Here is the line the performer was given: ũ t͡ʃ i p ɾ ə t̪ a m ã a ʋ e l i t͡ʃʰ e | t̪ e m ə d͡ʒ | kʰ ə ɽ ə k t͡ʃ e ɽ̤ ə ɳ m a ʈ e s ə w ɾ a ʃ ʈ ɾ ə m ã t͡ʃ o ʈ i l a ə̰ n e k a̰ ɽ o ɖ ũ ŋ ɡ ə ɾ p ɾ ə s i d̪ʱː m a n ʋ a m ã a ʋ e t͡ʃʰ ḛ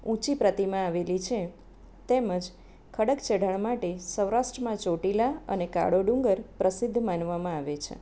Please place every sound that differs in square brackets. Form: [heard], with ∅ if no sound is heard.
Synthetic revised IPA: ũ t͡ʃ i p ɾ ə t̪ [i] m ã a ʋ e l i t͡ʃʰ e | t̪ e m ə d͡ʒ | kʰ ə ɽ ə k t͡ʃ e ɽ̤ ə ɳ m a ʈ e s ə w ɾ a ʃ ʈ ɾ ə m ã t͡ʃ o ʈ i l a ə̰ n e k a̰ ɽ o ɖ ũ ŋ ɡ ə ɾ p ɾ ə s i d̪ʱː m a n ʋ a m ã a ʋ e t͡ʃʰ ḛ

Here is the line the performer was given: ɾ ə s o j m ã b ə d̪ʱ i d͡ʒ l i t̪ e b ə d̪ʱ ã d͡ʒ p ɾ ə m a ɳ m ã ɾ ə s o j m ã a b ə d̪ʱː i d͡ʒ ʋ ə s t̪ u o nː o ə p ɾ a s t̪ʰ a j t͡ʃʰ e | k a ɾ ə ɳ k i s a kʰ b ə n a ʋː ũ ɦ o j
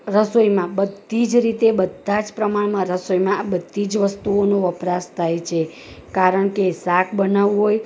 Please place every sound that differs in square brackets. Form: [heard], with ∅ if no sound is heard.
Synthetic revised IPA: ɾ ə s o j m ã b ə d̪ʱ i d͡ʒ [ɾ] i t̪ e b ə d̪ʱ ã d͡ʒ p ɾ ə m a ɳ m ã ɾ ə s o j m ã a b ə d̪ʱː i d͡ʒ ʋ ə s t̪ u o [n] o ə p ɾ a s t̪ʰ a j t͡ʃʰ e | k a ɾ ə ɳ k [e] s a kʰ b ə n a [ʋ] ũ ɦ o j

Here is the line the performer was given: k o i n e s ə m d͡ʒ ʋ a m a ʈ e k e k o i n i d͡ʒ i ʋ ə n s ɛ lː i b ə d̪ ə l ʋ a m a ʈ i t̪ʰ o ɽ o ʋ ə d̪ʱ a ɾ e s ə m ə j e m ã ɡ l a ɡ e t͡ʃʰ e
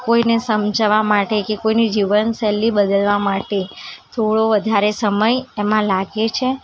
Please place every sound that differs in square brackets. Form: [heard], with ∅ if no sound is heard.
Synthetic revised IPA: k o i n e s ə m d͡ʒ ʋ a m a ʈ e k e k o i n i d͡ʒ i ʋ ə n s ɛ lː i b ə d̪ ə l ʋ a m a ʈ [e] t̪ʰ o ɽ o ʋ ə d̪ʱ a ɾ e s ə m ə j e m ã [∅] l a ɡ e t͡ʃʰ e

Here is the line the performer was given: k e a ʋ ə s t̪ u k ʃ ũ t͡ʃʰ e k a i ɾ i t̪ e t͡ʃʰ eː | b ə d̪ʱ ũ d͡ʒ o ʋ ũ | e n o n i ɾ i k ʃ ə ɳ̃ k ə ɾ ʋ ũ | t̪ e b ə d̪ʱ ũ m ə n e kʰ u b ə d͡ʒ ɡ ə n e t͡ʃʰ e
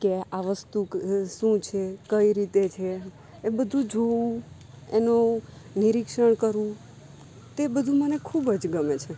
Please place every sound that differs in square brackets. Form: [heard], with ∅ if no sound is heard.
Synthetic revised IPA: k e a ʋ ə s t̪ u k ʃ ũ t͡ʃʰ e k [ə] i ɾ i t̪ e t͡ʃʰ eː | b ə d̪ʱ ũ d͡ʒ o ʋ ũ | e n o n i ɾ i k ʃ ə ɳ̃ k ə ɾ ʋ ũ | t̪ e b ə d̪ʱ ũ m ə n e kʰ u b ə d͡ʒ ɡ ə [m] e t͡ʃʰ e

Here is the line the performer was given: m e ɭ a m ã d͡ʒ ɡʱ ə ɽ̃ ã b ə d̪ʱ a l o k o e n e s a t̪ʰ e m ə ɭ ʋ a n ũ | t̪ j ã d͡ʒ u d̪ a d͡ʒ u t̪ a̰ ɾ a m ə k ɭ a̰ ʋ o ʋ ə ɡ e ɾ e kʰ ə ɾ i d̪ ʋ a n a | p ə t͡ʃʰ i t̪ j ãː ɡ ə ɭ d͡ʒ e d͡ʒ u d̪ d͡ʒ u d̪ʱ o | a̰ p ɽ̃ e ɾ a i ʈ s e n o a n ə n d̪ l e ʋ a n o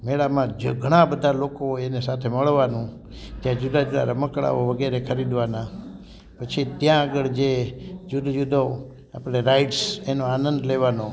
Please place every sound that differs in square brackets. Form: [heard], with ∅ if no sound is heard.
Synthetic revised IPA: m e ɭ a m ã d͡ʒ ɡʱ ə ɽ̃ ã b ə d̪ʱ a l o k o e n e s a t̪ʰ e m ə ɭ ʋ a n ũ | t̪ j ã d͡ʒ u d̪ a d͡ʒ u [d̪] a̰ ɾ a m ə k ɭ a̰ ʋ o ʋ ə ɡ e ɾ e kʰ ə ɾ i d̪ ʋ a n a | p ə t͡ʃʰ i t̪ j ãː ɡ ə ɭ d͡ʒ e d͡ʒ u d̪ d͡ʒ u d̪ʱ o | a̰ p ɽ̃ e ɾ a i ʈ s e n o a n ə n d̪ l e ʋ a n o

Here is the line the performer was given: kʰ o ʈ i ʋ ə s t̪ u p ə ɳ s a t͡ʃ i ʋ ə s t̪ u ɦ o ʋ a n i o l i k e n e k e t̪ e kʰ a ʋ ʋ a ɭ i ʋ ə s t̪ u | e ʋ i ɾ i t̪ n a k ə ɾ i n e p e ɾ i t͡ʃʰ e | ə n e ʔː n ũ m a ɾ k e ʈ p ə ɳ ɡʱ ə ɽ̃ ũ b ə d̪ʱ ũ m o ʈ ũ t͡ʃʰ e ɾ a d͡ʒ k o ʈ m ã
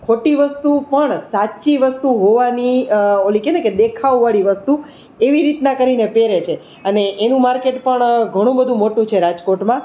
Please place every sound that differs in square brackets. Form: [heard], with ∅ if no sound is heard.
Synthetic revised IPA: kʰ o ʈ i ʋ ə s t̪ u p ə ɳ s a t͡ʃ i ʋ ə s t̪ u ɦ o ʋ a n i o l i k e n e k e [d̪] e kʰ a ʋ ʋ a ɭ i ʋ ə s t̪ u | e ʋ i ɾ i t̪ n a k ə ɾ i n e p e ɾ [e] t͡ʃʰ e | ə n e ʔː n ũ m a ɾ k e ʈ p ə ɳ ɡʱ ə ɽ̃ ũ b ə d̪ʱ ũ m o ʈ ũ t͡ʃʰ e ɾ a d͡ʒ k o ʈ m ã

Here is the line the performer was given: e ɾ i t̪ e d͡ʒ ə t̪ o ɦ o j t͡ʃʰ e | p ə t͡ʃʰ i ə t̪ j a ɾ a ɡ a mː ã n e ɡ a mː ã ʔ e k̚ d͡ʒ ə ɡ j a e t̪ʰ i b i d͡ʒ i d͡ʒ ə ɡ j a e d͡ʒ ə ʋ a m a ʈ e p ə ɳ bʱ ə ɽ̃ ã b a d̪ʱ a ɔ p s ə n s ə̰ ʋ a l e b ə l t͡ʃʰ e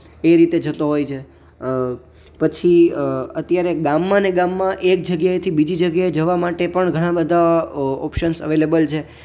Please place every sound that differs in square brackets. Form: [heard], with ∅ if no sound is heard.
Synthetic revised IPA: e ɾ i t̪ e d͡ʒ ə t̪ o ɦ o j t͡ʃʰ e | p ə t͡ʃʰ i ə t̪ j a ɾ [e] ɡ a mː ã n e ɡ a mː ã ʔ e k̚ d͡ʒ ə ɡ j a e t̪ʰ i b i d͡ʒ i d͡ʒ ə ɡ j a e d͡ʒ ə ʋ a m a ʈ e p ə ɳ [ɡʱ] ə ɽ̃ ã b [ə] d̪ʱ a ɔ p [ʃ] ə n s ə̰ ʋ [e] l e b ə l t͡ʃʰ e

